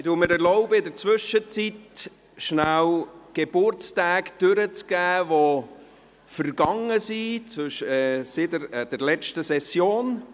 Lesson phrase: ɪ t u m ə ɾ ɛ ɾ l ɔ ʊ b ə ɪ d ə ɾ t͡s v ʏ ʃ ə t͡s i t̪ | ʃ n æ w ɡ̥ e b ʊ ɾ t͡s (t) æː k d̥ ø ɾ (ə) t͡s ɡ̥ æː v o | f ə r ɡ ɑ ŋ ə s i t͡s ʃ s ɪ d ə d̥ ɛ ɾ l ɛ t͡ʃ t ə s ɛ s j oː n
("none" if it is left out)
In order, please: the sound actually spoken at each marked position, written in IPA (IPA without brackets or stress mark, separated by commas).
t, ə